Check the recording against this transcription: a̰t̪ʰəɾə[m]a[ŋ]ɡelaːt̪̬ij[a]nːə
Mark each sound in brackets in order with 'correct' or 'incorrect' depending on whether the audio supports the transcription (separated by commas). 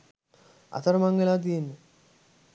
correct, correct, incorrect